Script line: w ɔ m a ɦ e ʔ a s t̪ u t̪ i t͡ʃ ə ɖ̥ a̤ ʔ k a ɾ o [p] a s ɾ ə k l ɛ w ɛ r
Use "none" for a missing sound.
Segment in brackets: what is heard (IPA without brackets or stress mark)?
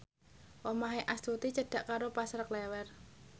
p